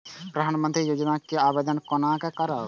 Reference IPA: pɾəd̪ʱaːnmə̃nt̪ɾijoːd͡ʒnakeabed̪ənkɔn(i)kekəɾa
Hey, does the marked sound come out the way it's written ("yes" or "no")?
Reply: no